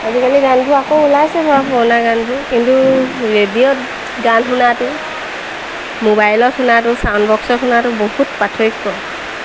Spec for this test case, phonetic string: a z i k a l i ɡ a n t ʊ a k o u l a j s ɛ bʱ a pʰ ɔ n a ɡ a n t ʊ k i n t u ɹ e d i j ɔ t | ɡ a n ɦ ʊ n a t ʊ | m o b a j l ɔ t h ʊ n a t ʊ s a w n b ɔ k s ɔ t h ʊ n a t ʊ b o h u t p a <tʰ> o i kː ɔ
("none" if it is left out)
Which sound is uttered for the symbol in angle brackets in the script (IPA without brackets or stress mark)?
tʰ